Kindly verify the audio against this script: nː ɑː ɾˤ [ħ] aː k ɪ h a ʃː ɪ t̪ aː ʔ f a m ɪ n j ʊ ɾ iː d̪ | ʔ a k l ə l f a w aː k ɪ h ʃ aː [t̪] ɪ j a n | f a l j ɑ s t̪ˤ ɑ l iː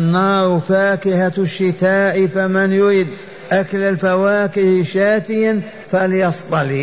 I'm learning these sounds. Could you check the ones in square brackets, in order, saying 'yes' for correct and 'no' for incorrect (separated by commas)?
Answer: no, yes